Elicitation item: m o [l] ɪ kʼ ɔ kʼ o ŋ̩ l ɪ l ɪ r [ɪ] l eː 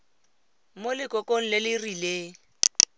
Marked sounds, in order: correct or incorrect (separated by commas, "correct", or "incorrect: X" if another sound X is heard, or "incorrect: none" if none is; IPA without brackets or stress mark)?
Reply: correct, incorrect: i